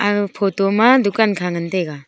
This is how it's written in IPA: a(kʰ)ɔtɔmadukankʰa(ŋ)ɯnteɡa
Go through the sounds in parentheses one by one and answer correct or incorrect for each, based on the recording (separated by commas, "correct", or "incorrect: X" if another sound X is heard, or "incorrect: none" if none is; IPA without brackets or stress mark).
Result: incorrect: pʰ, correct